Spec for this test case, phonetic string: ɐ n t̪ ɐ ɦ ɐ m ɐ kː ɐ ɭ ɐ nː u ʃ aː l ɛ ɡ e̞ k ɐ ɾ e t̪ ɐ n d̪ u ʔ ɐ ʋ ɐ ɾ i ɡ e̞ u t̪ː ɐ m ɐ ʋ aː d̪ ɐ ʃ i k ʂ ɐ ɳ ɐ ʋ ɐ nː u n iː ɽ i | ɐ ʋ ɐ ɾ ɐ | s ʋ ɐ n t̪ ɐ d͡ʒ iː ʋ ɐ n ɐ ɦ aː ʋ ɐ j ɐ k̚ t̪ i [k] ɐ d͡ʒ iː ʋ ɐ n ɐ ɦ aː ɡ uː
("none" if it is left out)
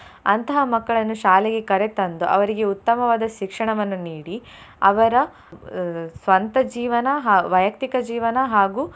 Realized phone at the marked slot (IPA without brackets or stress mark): k